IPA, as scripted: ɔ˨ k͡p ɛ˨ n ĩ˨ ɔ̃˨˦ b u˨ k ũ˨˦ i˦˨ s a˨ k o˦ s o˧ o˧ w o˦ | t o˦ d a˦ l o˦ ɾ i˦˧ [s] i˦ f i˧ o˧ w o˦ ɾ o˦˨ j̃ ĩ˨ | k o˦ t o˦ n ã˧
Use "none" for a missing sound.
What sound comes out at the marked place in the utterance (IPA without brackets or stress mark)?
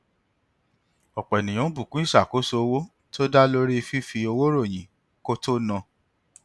f